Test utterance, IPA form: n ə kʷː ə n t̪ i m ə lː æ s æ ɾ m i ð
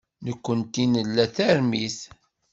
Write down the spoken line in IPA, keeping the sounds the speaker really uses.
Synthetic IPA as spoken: n ə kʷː ə n t̪ i n ə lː æ θ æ ɾ m i θ